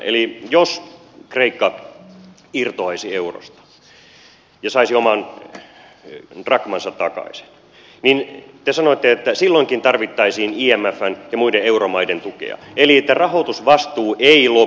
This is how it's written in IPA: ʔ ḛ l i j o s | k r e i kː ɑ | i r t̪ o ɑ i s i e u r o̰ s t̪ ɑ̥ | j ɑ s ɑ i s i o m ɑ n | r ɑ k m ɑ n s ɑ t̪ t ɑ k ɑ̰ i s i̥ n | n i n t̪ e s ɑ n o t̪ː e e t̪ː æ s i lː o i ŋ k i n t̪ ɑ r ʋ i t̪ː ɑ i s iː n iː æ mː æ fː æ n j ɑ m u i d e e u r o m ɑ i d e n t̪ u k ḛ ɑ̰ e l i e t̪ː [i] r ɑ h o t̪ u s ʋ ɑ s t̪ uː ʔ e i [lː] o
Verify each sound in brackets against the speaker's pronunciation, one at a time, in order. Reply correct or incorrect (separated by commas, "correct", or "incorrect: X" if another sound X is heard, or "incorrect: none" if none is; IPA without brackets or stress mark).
incorrect: æ, incorrect: l